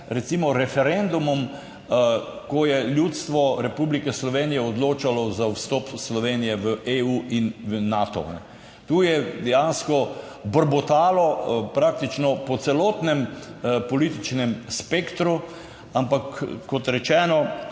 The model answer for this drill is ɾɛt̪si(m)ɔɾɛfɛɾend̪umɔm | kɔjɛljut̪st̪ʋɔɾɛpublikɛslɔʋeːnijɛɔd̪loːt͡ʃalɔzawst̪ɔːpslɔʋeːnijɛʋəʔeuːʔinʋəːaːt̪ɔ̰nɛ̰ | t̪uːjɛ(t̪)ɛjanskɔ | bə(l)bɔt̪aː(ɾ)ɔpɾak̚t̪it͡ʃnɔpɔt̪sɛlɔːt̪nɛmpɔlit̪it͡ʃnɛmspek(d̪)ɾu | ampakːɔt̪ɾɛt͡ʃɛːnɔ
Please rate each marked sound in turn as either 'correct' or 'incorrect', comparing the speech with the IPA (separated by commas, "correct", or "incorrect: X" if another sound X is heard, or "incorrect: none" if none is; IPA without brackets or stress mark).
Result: correct, incorrect: d̪, incorrect: ɾ, incorrect: l, incorrect: t̪